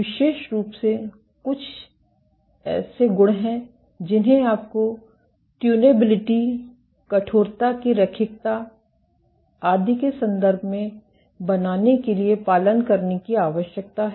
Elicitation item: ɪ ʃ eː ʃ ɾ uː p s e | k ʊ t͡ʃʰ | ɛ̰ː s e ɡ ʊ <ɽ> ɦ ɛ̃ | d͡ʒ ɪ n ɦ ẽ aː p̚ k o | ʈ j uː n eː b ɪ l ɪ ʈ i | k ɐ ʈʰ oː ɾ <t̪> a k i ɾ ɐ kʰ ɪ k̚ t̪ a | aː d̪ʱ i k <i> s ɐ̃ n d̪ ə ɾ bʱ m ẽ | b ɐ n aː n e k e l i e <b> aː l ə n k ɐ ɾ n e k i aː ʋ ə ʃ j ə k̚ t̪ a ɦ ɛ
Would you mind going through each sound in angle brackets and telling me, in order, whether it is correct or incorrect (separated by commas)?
correct, correct, incorrect, incorrect